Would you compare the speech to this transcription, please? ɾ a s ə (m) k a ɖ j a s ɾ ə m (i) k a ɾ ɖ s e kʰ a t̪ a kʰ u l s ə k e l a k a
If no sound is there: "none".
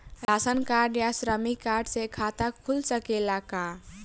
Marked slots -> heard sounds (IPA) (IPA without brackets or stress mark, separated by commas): n, i